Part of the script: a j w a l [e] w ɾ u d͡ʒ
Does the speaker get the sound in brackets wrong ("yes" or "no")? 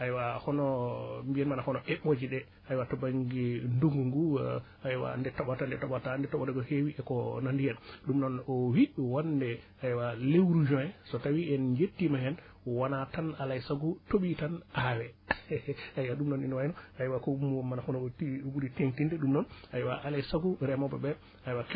no